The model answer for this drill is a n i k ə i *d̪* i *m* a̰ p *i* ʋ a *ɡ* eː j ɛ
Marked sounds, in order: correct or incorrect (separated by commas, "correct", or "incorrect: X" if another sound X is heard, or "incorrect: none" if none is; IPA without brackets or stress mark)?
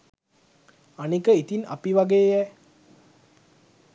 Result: incorrect: t̪, incorrect: n, correct, correct